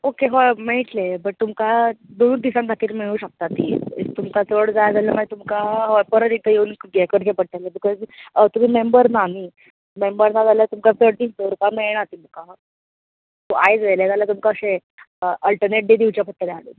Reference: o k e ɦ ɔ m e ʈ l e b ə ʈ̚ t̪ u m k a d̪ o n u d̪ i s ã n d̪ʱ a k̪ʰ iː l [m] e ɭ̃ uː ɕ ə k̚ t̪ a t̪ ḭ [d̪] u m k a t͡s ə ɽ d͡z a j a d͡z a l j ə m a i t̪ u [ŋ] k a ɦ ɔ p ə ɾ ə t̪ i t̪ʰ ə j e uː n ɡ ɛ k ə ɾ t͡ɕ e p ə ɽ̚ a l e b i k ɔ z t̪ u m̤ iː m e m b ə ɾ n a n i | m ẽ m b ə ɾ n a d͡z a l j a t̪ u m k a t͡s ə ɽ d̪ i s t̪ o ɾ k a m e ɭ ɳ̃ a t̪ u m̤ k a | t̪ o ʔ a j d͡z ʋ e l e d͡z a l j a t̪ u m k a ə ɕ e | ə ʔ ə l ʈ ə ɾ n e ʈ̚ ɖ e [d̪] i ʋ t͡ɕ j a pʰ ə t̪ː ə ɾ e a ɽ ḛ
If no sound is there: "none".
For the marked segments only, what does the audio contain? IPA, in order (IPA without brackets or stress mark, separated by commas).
m, t̪, m, d̪